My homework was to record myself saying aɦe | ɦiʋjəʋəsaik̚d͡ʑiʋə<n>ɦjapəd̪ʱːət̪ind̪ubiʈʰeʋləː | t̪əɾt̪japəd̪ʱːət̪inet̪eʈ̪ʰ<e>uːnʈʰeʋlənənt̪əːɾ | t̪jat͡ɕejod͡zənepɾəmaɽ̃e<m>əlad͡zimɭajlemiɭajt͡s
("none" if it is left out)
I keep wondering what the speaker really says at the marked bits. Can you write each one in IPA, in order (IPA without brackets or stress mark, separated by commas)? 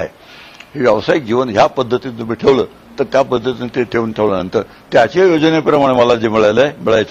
n, e, m